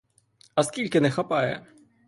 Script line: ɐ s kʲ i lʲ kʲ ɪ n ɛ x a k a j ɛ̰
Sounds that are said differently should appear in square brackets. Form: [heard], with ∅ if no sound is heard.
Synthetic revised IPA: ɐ s kʲ i lʲ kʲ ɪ n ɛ x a [p] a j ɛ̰